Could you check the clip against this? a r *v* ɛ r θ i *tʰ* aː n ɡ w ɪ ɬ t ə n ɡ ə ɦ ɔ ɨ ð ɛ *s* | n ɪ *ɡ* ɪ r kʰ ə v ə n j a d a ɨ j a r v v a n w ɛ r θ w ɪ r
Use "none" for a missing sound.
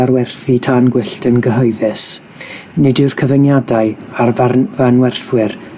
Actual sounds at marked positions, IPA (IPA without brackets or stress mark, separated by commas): w, tʰ, s, d